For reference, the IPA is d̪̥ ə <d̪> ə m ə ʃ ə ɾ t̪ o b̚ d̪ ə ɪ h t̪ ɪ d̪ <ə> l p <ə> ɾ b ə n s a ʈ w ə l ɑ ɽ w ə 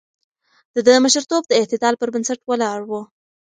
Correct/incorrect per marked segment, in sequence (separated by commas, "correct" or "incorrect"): correct, incorrect, correct